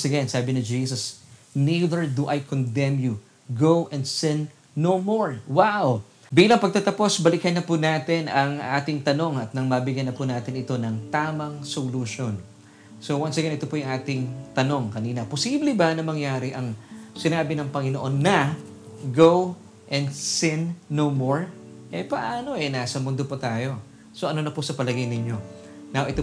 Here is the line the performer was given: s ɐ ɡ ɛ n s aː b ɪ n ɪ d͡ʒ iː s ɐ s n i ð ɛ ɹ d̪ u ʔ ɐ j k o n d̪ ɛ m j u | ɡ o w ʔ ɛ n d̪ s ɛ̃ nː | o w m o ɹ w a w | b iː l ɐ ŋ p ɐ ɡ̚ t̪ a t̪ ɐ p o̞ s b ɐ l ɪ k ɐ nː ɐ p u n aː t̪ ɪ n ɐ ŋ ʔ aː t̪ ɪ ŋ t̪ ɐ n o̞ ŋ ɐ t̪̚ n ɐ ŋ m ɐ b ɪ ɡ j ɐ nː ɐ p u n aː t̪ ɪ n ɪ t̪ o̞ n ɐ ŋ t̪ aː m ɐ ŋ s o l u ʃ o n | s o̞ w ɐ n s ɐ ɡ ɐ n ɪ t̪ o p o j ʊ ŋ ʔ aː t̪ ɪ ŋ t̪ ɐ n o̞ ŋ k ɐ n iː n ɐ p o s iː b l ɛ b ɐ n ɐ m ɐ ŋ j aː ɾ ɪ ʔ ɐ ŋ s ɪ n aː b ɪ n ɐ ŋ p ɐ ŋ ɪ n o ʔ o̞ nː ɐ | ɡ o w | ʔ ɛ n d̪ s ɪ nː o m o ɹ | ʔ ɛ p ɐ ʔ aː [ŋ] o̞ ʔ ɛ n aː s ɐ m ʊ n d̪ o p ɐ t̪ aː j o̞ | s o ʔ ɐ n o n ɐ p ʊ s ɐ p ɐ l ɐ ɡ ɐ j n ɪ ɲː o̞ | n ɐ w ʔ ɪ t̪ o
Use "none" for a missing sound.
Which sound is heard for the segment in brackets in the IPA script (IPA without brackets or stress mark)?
n